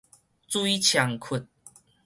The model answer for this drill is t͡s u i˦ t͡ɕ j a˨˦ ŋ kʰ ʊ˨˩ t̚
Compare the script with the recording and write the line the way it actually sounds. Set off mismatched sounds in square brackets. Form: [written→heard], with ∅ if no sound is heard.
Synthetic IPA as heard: t͡s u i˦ [t͡ɕ→t͡ɕʰ] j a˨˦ ŋ kʰ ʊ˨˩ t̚